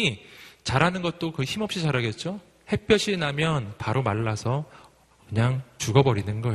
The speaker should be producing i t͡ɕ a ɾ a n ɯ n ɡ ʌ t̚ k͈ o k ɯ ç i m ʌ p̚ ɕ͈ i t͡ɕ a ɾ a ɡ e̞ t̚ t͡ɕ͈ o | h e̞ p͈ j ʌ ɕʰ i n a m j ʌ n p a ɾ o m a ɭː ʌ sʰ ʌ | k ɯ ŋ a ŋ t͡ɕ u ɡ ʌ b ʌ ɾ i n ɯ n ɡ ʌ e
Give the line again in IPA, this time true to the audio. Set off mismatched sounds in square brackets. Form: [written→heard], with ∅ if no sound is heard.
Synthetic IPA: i t͡ɕ a ɾ a n ɯ n ɡ ʌ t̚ [k͈→t͈] o k ɯ ç i m ʌ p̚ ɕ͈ i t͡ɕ a ɾ a ɡ e̞ t̚ t͡ɕ͈ o | h e̞ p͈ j ʌ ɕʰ i n a m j ʌ n p a ɾ o m a ɭː [ʌ→a] sʰ ʌ | k ɯ [ŋ→ɲ] a ŋ t͡ɕ u ɡ ʌ b ʌ ɾ i n ɯ n ɡ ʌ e